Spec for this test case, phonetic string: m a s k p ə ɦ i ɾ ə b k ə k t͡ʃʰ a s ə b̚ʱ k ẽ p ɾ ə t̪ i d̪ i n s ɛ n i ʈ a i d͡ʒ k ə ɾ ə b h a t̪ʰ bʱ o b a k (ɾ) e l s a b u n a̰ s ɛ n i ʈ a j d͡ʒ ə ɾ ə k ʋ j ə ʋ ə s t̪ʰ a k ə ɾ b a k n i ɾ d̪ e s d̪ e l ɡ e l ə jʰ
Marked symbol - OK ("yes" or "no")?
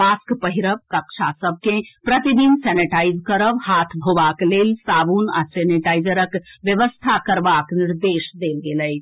no